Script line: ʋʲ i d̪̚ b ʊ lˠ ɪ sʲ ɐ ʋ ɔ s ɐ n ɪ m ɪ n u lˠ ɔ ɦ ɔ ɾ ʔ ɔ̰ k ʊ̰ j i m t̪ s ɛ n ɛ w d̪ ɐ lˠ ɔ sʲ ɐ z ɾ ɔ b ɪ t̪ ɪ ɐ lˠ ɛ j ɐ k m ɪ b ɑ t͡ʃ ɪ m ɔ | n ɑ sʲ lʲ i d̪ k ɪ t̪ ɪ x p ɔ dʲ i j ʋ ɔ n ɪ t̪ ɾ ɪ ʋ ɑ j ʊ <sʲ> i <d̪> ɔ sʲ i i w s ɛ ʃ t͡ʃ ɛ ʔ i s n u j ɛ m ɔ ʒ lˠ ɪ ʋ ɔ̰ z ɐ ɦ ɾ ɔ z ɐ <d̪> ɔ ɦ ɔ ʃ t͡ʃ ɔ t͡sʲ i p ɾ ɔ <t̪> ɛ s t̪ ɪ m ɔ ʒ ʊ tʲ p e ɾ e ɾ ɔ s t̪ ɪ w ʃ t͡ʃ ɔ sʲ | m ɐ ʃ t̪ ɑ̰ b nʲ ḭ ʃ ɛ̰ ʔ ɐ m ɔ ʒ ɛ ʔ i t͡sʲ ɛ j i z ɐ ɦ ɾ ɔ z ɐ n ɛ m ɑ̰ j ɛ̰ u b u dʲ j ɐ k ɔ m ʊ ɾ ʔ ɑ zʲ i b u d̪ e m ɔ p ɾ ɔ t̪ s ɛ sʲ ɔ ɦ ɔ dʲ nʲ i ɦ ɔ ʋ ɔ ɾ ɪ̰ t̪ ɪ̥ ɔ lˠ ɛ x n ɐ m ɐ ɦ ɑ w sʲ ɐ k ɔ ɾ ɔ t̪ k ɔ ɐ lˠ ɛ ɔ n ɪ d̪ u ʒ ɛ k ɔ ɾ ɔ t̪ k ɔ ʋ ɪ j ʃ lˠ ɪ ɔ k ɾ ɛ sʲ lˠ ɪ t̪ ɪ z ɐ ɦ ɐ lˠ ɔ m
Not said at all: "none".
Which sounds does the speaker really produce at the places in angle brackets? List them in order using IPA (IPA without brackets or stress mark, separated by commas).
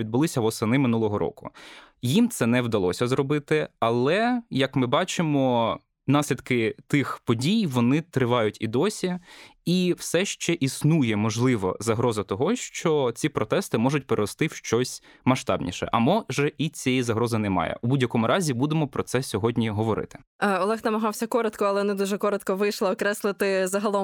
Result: tʲ, d̪, t̪, t̪